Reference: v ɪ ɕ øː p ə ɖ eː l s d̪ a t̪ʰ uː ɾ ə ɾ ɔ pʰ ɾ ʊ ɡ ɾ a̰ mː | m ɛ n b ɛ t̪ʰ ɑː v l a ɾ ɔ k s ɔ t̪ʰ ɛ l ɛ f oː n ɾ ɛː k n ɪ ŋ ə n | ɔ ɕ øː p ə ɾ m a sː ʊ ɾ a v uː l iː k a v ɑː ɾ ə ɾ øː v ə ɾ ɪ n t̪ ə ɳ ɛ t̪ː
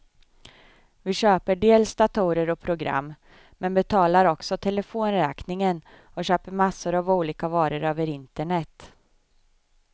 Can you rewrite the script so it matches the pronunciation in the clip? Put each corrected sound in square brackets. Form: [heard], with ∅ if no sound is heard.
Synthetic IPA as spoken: v ɪ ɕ øː p ə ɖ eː l s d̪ a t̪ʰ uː ɾ ə ɾ ɔ pʰ ɾ ʊ ɡ ɾ a̰ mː | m ɛ n b ɛ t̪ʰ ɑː [∅] l a ɾ ɔ k s ɔ t̪ʰ ɛ l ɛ f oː n ɾ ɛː k n ɪ ŋ ə n | ɔ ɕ øː p ə ɾ m a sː ʊ ɾ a v uː l iː k a v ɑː ɾ ə ɾ øː v ə ɾ ɪ n t̪ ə ɳ ɛ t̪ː